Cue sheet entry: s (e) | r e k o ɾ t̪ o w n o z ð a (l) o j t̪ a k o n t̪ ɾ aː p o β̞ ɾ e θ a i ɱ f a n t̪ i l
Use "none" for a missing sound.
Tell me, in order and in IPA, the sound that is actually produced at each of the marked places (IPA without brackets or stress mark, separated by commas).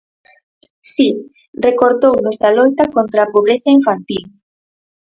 i, l